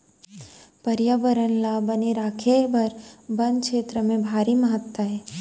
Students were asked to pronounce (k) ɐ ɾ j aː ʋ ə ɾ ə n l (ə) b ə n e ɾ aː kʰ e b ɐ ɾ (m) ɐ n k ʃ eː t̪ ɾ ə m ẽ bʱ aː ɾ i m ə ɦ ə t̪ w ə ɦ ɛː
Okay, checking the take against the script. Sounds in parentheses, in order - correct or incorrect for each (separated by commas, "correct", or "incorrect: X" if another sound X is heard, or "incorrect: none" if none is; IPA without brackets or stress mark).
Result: incorrect: p, incorrect: a, incorrect: b